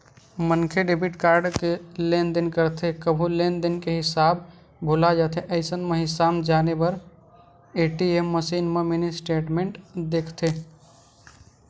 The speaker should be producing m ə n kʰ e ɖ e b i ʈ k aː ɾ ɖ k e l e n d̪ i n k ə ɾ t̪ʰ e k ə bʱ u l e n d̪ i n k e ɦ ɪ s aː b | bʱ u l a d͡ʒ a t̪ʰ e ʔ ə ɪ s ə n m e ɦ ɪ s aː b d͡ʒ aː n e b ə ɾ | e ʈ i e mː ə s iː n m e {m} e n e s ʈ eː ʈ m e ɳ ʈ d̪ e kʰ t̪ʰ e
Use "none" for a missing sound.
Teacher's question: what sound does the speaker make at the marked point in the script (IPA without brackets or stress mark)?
m